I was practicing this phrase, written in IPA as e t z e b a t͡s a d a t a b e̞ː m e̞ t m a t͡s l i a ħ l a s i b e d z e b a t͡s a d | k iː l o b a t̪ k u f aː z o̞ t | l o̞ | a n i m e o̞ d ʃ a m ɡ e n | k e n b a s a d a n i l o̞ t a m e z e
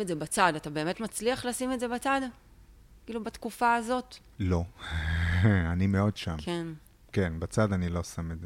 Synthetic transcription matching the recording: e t z e b a t͡s a d a t a b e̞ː m e̞ t m a t͡s l i a χ l a s i m e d z e b a t͡s a d | k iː l u b a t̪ k u f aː z o̞ t | l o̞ | a n i m e o̞ d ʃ a m k e n | k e n b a t͡s a d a n i l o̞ s a m e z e